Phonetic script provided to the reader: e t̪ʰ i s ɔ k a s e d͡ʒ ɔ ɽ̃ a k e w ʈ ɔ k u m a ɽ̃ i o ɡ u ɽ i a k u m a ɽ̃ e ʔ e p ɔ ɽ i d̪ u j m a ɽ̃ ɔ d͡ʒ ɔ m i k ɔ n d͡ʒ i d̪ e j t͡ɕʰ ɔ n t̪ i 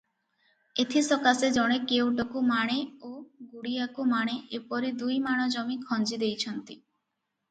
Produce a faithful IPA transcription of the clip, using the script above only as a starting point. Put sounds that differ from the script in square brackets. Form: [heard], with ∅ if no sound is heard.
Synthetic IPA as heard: e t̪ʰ i s ɔ k a s e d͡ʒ ɔ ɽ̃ [e] k e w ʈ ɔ k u m a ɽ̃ [e] o ɡ u ɽ i a k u m a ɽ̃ e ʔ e p ɔ [ɾ] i d̪ u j m a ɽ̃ ɔ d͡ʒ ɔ m i [kʰ] ɔ n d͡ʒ i d̪ e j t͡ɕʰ ɔ n t̪ i